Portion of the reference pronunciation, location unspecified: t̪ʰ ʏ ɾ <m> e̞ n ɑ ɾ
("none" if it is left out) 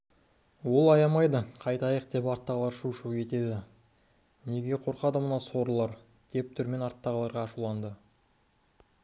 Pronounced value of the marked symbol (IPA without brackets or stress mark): m